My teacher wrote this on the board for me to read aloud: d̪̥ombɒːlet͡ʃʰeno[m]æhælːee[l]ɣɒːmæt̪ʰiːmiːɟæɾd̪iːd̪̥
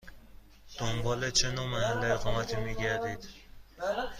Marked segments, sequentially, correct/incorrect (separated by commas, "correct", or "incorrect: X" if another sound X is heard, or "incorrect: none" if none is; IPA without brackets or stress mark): correct, incorrect: none